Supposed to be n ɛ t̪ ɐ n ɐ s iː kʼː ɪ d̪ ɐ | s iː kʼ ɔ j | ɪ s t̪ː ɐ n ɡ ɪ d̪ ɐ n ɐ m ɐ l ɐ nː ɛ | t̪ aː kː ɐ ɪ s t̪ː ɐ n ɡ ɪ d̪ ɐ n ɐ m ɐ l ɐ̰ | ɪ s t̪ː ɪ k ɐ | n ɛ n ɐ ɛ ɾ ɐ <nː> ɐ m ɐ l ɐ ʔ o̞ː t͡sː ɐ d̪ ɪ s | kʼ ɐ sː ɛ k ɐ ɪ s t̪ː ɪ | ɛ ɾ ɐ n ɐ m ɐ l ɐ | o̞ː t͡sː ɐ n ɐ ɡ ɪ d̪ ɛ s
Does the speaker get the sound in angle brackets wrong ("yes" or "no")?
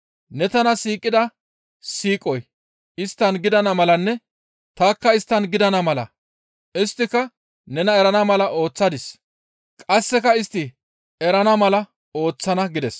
yes